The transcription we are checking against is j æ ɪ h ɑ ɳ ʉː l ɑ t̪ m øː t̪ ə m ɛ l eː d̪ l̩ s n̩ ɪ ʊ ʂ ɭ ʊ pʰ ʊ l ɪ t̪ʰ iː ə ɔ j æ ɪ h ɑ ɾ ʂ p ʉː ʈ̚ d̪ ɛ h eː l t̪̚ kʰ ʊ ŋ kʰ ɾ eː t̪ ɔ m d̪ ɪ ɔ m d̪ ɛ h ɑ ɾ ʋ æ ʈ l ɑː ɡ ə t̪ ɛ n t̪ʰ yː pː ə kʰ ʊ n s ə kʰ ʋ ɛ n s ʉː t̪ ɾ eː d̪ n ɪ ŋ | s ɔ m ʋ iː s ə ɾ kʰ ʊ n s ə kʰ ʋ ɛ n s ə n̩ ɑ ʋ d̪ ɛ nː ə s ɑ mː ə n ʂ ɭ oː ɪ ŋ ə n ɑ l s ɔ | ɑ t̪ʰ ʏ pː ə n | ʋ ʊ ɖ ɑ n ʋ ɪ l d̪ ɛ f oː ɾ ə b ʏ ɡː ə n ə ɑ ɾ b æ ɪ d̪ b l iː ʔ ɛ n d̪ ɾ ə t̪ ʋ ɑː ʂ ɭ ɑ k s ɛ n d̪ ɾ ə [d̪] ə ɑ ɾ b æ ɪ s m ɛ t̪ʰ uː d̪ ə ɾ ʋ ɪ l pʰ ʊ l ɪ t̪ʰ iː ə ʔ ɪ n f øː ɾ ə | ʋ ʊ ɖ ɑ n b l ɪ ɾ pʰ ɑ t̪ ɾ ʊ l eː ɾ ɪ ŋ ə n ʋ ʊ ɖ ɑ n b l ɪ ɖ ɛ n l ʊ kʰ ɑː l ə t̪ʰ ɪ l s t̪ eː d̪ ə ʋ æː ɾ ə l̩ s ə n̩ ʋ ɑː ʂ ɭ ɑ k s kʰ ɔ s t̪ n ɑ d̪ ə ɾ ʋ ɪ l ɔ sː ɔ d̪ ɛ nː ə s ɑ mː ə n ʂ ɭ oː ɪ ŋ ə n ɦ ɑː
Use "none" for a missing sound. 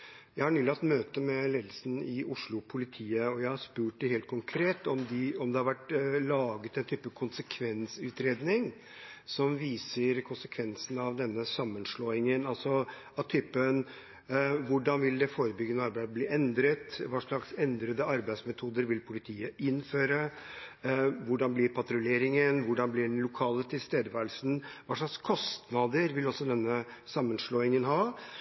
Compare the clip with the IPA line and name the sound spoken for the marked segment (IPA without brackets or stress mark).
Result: d̪